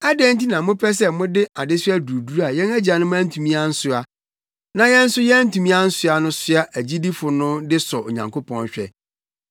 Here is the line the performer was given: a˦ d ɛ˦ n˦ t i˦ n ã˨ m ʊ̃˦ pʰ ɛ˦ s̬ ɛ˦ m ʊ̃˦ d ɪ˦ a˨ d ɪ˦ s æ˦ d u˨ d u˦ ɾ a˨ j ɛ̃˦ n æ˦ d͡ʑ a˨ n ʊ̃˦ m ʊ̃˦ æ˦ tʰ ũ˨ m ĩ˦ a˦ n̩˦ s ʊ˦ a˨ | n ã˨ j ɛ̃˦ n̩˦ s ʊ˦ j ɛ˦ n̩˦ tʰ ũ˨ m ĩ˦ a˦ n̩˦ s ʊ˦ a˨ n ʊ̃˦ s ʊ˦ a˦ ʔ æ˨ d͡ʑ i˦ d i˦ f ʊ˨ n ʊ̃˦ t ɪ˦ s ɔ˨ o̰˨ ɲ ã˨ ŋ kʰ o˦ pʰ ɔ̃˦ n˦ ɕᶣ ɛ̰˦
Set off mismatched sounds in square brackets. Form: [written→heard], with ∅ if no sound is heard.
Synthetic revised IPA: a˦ d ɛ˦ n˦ t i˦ n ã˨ m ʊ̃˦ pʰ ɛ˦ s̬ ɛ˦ m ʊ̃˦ d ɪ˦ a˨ d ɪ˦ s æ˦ d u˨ d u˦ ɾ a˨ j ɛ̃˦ n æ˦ d͡ʑ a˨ n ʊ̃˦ m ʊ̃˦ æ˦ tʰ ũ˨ m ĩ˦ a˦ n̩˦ s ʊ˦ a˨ | n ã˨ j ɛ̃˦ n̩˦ s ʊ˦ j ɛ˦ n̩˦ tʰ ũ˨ m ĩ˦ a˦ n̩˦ s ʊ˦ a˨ n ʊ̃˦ s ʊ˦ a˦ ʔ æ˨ d͡ʑ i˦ d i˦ f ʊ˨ n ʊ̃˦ [t→d] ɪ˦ s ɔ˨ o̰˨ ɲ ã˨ ŋ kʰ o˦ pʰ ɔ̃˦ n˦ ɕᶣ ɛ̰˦